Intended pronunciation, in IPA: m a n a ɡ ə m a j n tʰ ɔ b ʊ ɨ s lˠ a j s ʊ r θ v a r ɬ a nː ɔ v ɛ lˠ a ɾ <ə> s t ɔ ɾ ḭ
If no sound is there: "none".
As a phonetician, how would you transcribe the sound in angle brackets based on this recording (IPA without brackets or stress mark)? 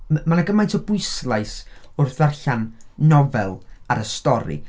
ə